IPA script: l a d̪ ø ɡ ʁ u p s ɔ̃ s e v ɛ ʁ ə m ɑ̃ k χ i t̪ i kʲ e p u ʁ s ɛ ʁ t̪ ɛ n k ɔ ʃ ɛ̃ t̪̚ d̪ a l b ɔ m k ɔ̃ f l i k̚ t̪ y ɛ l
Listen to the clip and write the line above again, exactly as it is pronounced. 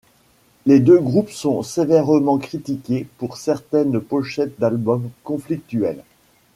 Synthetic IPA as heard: l e d̪ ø ɡ ʁ u p s ɔ̃ s e v ɛ ʁ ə m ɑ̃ k χ i t̪ i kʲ e p u ʁ s ɛ ʁ t̪ ɛ n p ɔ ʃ ɛ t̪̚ d̪ a l b ɔ m k ɔ̃ f l i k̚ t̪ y ɛ l